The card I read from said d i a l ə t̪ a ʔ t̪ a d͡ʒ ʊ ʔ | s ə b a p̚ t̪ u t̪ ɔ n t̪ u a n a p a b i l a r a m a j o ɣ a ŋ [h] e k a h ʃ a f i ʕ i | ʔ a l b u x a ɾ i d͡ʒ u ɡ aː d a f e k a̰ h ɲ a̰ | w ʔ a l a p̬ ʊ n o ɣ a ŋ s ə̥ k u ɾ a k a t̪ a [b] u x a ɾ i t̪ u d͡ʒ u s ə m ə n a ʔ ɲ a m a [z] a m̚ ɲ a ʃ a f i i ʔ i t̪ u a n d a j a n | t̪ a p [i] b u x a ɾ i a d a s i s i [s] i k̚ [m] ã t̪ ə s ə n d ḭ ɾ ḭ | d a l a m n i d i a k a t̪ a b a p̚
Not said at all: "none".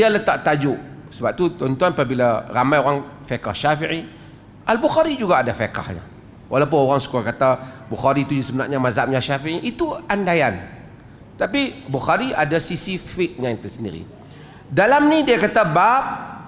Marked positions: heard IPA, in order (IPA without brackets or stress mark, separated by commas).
f, b, z, i, f, ɲ